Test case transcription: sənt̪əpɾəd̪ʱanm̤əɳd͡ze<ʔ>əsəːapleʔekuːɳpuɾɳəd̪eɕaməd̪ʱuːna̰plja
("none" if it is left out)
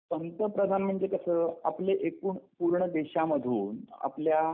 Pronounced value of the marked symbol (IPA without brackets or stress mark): k